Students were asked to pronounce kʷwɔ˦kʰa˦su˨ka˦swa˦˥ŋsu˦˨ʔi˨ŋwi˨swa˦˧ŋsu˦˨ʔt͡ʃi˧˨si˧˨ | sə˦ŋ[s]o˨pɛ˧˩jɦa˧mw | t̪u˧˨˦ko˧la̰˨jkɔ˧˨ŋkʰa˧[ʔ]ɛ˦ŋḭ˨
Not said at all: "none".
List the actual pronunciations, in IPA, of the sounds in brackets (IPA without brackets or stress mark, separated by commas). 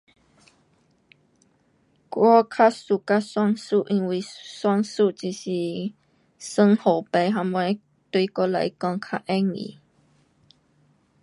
h, ʔ